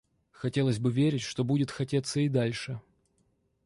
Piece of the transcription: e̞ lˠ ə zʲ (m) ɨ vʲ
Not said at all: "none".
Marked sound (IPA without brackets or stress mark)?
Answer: b